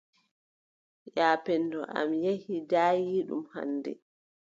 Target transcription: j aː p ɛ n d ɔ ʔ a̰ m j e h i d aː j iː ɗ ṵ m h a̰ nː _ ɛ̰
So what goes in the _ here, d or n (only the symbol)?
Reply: d